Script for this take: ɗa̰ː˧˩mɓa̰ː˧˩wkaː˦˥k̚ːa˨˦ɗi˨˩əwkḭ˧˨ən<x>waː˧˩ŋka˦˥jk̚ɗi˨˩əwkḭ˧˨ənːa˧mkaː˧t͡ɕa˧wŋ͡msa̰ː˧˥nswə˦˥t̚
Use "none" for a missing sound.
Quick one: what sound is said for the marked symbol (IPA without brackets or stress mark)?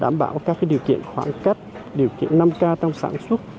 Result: x